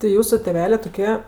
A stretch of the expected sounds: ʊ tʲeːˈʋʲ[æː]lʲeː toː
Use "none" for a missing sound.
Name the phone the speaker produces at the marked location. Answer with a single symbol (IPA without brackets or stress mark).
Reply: æː